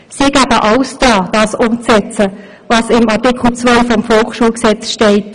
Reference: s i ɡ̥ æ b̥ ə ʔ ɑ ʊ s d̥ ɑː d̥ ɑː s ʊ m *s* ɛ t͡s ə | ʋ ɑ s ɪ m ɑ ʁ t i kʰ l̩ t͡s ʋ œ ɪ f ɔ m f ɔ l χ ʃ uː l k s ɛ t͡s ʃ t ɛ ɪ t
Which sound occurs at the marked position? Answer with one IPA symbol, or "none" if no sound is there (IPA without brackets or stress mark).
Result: t͡s